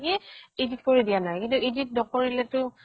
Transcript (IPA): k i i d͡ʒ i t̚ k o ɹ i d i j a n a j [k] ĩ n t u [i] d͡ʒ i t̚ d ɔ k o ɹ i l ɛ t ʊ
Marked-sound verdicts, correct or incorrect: correct, correct

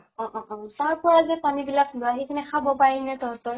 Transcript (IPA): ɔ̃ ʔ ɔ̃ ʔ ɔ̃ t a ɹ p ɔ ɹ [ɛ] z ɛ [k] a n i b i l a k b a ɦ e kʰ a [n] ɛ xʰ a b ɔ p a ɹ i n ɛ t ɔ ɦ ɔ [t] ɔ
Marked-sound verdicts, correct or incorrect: incorrect, incorrect, correct, correct

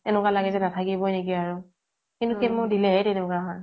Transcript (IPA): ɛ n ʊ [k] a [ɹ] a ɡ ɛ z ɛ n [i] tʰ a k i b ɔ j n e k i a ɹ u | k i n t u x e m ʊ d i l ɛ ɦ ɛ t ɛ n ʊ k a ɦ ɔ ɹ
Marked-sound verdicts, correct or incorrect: correct, incorrect, incorrect

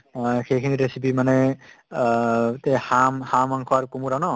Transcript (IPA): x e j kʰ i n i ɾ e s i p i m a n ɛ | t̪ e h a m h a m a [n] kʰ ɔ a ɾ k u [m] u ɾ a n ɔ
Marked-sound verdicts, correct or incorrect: incorrect, correct

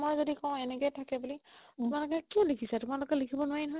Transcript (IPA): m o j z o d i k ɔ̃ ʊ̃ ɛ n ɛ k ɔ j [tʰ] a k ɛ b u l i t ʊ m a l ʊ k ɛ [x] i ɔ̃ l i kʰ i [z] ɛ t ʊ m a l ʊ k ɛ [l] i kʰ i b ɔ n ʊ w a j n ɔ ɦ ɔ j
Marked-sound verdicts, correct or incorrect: correct, incorrect, incorrect, correct

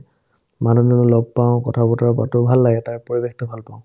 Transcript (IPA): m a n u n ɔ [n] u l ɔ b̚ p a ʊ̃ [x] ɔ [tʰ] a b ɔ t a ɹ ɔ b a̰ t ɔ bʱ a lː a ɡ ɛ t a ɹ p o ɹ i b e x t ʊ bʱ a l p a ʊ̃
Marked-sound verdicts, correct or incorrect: correct, incorrect, correct

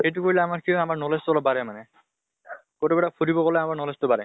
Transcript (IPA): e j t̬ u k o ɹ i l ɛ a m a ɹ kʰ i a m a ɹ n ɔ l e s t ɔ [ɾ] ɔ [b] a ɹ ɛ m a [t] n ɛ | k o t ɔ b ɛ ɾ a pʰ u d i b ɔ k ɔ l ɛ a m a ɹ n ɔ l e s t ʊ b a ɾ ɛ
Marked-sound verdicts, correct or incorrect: incorrect, correct, incorrect

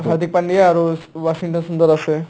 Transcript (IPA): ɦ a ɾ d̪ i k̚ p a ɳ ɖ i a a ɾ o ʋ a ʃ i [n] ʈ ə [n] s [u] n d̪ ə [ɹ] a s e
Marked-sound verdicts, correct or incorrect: incorrect, correct, correct, incorrect

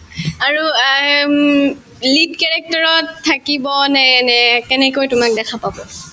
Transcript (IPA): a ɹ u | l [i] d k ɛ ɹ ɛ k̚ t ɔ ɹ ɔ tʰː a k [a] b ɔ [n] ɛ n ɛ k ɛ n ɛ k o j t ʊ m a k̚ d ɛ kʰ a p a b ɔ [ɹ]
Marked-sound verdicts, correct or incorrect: correct, incorrect, correct, incorrect

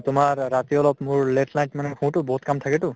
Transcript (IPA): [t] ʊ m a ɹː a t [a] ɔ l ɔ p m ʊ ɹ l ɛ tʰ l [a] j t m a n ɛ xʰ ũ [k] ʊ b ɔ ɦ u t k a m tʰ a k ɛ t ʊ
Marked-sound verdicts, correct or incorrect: correct, incorrect, correct, incorrect

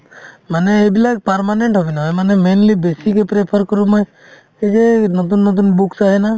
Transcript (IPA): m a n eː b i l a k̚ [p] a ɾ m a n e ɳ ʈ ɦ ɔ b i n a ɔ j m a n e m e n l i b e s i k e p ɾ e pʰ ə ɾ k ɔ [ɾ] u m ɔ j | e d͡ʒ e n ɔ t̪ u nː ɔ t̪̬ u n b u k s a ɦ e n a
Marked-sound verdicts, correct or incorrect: correct, correct

